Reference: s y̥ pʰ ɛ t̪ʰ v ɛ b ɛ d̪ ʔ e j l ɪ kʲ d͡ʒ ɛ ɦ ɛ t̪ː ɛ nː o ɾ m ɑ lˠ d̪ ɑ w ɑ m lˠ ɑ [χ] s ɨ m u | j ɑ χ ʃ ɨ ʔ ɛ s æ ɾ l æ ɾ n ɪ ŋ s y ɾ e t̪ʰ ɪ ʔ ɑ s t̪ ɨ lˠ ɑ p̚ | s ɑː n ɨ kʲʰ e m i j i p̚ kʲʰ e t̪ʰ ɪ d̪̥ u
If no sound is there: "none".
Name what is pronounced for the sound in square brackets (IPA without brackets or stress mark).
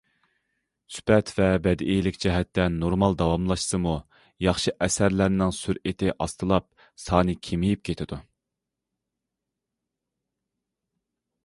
ʃ